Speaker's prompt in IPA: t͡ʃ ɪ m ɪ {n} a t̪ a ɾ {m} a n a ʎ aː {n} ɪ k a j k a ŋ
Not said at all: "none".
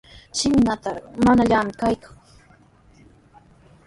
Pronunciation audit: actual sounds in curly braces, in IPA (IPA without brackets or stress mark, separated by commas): n, m, m